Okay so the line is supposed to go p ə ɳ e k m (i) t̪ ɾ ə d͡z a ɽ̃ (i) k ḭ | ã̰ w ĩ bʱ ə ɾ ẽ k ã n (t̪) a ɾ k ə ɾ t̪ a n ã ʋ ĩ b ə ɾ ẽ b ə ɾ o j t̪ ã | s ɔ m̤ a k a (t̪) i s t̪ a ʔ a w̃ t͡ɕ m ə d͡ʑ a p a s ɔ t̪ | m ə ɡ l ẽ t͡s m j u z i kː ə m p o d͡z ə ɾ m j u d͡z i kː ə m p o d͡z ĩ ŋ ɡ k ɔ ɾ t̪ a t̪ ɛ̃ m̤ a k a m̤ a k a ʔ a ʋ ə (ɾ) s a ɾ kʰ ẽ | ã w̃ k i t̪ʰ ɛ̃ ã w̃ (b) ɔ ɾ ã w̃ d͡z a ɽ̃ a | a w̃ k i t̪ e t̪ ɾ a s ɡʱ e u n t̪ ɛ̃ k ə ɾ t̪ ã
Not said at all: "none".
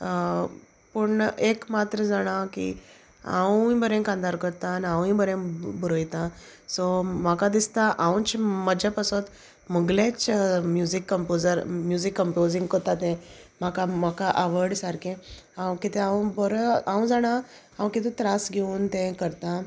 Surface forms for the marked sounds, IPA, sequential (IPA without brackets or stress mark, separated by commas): a, a, d̪, d̪, ɽ, b